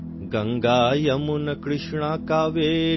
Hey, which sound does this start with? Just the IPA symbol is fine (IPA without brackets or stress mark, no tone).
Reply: ɡ